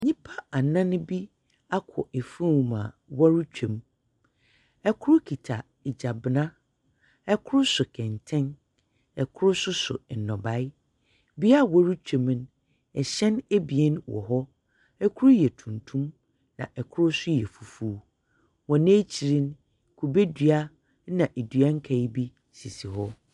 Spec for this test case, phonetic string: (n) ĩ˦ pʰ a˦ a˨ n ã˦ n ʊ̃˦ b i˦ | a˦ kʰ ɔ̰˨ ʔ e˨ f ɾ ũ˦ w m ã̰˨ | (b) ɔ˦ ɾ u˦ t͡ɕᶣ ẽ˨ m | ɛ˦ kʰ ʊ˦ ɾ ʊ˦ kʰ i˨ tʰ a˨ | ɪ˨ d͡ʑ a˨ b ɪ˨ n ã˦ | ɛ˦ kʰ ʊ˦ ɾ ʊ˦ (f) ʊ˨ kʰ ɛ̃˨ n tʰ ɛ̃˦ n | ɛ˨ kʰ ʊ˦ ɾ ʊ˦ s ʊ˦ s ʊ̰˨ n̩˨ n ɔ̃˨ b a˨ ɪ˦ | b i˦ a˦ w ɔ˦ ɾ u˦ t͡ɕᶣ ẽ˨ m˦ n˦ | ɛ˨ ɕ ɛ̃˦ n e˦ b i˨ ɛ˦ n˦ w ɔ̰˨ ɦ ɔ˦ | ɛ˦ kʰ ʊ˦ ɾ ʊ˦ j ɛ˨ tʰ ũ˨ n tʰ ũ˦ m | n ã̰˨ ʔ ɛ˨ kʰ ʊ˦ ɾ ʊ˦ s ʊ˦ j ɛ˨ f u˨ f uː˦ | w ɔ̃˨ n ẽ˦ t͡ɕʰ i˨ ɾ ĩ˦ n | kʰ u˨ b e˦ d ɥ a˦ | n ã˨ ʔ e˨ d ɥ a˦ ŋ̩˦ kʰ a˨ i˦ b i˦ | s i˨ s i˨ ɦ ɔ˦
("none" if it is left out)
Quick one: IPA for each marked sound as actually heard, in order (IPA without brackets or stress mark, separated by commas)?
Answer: ɲ, w, s